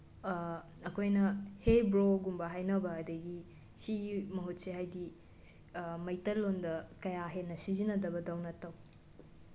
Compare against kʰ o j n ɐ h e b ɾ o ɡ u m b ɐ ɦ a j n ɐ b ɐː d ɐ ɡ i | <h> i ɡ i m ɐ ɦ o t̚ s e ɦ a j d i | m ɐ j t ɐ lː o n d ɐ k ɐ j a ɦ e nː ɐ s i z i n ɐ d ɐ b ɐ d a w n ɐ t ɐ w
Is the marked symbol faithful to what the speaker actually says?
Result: no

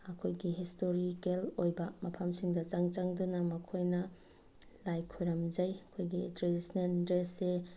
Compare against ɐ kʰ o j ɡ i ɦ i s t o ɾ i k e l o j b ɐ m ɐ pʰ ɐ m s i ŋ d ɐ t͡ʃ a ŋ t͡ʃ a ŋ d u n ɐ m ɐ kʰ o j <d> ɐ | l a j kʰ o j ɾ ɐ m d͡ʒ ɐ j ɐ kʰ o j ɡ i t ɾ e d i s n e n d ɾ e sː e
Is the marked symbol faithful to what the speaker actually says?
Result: no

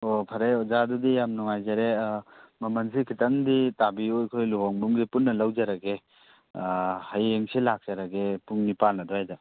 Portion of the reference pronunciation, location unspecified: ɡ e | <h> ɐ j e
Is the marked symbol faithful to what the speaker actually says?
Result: yes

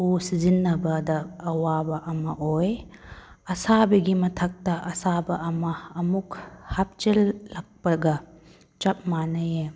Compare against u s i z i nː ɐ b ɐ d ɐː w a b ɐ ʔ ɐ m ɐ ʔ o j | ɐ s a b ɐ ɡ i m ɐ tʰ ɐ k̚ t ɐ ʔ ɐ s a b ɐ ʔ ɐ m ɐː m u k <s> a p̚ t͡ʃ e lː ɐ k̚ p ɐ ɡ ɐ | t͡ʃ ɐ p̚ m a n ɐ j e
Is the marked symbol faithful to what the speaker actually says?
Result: no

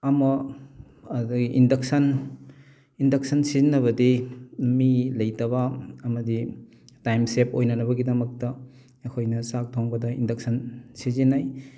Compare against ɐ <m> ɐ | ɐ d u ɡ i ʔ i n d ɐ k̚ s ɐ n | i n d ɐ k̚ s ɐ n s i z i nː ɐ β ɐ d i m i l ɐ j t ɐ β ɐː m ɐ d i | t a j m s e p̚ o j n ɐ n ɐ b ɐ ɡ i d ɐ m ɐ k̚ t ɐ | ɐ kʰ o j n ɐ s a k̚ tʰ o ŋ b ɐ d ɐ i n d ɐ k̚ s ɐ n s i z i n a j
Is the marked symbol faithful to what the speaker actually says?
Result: yes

